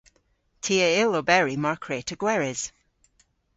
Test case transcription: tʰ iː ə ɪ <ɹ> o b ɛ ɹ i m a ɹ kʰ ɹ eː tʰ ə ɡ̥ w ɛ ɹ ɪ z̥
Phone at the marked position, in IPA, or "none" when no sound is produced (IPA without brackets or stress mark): l